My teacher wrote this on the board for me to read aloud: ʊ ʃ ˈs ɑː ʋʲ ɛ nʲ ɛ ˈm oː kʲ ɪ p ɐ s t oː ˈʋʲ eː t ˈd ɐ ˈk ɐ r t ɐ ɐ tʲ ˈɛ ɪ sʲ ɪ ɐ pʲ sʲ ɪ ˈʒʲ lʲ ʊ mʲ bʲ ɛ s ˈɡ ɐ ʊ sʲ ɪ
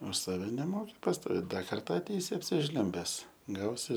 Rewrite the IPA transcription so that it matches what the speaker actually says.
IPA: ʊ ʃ ˈs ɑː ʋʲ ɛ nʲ ɛ ˈm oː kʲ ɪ p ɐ s t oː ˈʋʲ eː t ˈd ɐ ˈk ɐ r t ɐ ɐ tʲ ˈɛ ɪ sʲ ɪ ɐ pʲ sʲ ɪ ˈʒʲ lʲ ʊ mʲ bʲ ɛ s ˈɡ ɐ ʊ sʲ ɪ